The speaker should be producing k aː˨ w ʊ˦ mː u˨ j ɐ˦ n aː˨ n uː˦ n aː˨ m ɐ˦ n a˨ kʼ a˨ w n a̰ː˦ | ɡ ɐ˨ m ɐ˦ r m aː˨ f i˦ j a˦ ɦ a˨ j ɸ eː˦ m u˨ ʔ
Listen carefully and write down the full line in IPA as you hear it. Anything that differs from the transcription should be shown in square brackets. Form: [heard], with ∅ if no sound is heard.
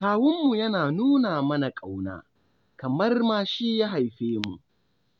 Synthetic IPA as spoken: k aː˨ w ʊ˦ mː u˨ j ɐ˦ n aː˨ n uː˦ n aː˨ m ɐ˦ n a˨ kʼ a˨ w n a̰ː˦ | [k] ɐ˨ m ɐ˦ r m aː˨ [ʃ] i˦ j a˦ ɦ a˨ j ɸ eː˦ m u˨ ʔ